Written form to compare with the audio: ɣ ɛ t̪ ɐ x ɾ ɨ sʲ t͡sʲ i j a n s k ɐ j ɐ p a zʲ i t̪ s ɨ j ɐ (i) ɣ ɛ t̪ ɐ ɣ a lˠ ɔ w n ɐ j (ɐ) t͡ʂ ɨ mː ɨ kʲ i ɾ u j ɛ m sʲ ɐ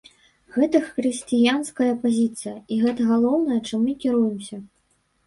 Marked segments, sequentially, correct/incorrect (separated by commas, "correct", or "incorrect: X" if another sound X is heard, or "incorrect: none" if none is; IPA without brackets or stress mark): correct, correct